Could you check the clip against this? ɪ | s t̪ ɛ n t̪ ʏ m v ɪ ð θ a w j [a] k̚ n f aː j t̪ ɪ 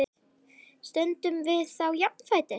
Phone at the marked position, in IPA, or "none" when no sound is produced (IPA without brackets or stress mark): a